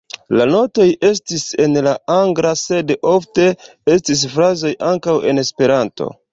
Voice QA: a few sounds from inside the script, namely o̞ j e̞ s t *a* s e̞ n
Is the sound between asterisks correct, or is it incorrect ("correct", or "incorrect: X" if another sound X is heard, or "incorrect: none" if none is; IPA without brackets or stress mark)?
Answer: incorrect: i